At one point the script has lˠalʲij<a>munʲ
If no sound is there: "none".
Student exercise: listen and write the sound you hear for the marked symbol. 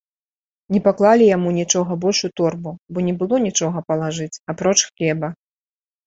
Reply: a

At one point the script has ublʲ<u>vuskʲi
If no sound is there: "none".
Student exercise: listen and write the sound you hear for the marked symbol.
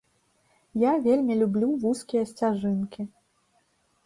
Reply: u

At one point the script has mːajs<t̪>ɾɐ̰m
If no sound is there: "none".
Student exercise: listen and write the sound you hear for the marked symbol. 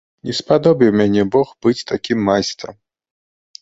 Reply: t̪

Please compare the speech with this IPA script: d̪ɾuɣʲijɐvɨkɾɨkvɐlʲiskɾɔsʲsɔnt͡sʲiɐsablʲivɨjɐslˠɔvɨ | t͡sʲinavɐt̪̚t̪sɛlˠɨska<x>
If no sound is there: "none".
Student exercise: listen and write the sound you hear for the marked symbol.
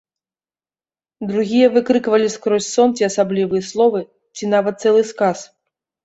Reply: s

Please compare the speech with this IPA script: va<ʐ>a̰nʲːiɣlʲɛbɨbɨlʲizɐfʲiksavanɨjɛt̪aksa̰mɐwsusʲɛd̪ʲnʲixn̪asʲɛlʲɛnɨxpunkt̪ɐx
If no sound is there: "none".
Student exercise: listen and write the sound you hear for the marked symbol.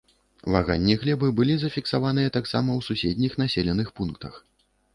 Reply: ɣ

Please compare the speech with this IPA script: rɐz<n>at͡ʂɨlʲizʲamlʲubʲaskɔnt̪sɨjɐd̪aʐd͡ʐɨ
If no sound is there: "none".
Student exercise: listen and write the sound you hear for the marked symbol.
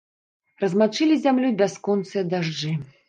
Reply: m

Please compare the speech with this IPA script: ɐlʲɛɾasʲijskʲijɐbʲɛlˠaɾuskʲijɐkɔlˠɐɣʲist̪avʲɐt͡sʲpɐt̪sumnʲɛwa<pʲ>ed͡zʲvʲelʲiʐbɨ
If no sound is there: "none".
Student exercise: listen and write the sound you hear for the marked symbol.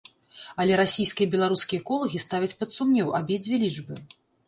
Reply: bʲ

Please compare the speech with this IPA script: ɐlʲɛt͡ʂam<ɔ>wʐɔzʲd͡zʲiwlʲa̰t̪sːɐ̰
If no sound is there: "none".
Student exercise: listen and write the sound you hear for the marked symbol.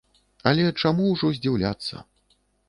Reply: u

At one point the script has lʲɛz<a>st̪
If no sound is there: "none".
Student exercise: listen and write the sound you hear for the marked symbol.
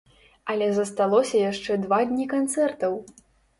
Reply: ɐ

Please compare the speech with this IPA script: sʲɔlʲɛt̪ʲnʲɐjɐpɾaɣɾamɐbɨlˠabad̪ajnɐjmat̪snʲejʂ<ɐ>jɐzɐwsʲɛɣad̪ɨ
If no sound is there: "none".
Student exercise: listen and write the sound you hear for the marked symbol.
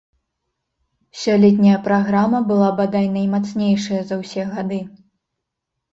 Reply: ɐ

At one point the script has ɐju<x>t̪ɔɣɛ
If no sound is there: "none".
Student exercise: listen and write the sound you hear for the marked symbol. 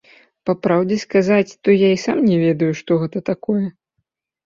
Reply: ʂ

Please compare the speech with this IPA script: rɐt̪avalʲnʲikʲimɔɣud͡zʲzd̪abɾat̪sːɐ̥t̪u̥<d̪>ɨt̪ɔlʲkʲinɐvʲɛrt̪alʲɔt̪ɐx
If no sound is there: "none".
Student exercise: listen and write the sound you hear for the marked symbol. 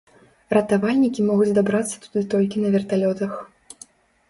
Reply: d̪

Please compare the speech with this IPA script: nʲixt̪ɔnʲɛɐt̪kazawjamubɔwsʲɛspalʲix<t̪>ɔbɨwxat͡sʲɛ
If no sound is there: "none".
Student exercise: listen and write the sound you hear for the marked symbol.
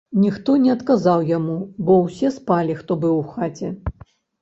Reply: t̪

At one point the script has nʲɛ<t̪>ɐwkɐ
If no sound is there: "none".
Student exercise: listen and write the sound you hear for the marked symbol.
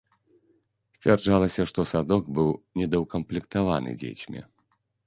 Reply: d̪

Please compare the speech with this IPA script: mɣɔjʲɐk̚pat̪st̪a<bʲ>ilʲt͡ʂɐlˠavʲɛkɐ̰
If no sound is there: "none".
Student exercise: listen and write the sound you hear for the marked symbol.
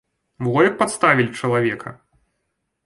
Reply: vʲ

